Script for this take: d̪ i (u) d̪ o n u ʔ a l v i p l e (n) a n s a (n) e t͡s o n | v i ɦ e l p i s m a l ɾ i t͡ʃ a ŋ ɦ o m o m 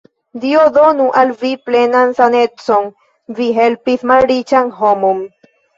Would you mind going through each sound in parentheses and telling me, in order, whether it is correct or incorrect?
incorrect, correct, correct

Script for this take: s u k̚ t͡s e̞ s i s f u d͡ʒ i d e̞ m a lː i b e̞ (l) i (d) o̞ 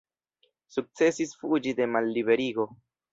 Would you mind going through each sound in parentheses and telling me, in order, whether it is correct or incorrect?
incorrect, incorrect

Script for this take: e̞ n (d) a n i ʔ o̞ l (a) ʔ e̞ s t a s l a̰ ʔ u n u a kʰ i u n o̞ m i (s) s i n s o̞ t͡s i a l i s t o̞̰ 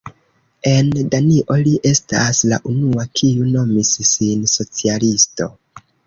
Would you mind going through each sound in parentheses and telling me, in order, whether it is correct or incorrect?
correct, incorrect, correct

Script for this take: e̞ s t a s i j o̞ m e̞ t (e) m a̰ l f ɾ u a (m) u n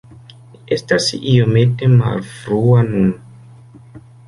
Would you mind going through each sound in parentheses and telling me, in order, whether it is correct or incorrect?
correct, incorrect

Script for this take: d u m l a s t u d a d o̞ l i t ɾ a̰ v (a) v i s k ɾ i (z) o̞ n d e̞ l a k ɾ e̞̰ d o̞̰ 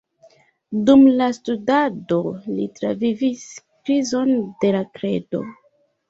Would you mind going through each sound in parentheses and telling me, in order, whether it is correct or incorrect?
incorrect, correct

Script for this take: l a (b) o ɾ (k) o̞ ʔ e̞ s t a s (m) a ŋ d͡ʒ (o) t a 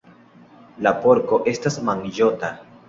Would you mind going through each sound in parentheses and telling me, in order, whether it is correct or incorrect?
incorrect, correct, correct, correct

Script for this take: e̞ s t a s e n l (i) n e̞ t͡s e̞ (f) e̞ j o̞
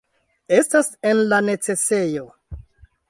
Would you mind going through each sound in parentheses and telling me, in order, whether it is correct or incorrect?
incorrect, incorrect

